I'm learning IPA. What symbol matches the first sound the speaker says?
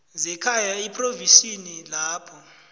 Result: z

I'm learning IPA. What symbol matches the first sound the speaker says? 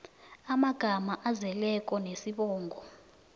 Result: a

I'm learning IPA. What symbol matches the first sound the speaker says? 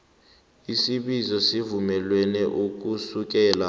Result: i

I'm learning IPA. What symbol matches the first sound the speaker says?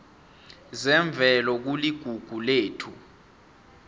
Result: z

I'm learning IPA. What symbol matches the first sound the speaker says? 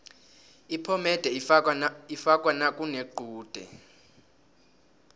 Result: i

